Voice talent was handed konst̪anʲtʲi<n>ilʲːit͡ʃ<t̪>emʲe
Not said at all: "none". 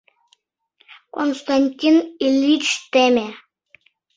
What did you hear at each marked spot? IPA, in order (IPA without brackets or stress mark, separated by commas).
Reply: n, t̪